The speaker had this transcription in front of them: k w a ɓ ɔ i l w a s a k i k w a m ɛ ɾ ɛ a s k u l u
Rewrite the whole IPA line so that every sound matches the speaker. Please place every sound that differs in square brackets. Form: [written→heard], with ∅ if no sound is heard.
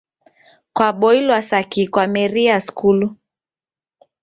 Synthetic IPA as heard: k w a ɓ ɔ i l w a s a k i k w a m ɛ ɾ [ɛ→i] a s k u l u